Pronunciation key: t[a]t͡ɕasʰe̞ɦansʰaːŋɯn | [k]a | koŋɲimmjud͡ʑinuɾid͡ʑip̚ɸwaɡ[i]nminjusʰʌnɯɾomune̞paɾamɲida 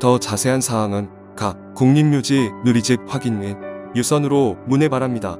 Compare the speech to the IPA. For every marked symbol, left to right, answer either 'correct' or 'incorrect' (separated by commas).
incorrect, correct, correct